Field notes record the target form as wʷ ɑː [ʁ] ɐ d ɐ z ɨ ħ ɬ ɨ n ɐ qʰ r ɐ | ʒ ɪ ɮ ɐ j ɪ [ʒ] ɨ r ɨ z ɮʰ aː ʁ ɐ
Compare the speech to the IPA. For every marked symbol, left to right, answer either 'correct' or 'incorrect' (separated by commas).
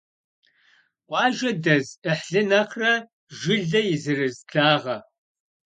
incorrect, incorrect